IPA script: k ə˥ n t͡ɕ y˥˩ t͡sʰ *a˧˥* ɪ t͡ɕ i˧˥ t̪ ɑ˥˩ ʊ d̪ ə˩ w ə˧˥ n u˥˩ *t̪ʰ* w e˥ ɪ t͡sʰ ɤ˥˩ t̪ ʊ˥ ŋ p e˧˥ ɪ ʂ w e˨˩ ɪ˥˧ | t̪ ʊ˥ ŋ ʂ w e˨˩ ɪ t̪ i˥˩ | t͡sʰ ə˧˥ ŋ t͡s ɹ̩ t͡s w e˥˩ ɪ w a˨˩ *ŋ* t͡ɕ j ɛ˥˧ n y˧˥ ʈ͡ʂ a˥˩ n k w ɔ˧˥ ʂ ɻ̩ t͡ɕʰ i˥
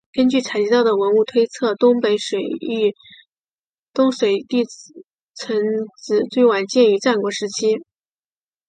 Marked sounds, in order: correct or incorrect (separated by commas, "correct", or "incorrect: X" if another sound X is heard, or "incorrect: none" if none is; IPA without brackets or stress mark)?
incorrect: a˨˩, correct, incorrect: n